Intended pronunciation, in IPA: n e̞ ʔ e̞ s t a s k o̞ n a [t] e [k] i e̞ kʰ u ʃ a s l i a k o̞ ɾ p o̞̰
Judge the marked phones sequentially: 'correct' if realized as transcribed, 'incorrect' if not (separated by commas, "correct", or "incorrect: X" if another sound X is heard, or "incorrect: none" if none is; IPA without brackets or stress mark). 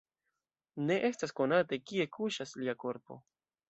correct, correct